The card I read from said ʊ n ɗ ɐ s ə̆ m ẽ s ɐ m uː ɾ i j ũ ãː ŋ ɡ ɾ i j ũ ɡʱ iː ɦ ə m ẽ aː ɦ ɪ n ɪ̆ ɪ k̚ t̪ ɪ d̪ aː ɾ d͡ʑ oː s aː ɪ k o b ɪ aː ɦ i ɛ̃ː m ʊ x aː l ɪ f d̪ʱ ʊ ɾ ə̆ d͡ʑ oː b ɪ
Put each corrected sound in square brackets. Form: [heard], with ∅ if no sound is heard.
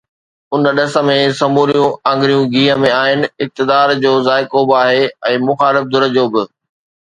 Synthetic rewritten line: ʊ n ɗ ɐ s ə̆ m ẽ s ɐ m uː ɾ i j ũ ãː ŋ ɡ ɾ i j ũ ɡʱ iː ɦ ə m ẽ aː ɦ ɪ n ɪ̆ ɪ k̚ t̪ ɪ d̪ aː ɾ d͡ʑ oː [z] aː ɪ k o b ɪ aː ɦ [e] ɛ̃ː m ʊ x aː l ɪ f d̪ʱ ʊ ɾ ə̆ d͡ʑ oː b ɪ